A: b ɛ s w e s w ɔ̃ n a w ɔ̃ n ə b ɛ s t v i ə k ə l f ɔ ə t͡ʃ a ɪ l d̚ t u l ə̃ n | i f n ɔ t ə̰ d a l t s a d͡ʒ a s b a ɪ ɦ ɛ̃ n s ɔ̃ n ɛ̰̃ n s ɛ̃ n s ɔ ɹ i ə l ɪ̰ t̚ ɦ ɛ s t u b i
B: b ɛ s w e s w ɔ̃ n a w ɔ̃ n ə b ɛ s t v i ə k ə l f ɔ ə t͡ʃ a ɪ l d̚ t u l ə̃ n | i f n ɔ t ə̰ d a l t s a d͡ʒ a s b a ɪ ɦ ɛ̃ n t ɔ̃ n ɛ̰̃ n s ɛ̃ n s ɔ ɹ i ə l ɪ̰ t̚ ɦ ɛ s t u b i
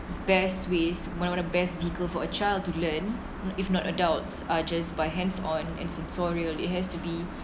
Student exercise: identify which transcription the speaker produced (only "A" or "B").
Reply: A